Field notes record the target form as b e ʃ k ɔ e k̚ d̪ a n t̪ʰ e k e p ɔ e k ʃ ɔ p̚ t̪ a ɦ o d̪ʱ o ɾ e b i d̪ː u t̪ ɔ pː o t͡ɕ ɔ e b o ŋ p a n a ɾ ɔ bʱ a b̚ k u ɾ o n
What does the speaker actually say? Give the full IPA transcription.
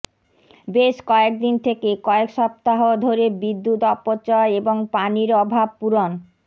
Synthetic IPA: b e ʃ k ɔ e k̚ d̪ i n t̪ʰ e k e k ɔ e k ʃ ɔ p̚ t̪ a ɦ o d̪ʱ o ɾ e b i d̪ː u t̪ ɔ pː o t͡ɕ ɔ e b o ŋ p a n i ɾ ɔ bʱ a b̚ p u ɾ o n